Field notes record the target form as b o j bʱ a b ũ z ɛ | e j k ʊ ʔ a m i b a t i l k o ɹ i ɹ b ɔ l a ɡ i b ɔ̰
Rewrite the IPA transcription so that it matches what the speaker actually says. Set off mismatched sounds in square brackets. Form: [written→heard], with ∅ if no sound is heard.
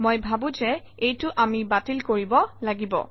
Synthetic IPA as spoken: [b→m] o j bʱ a b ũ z ɛ | e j [k→t] ʊ ʔ a m i b a t i l k o ɹ i [ɹ→∅] b ɔ l a ɡ i b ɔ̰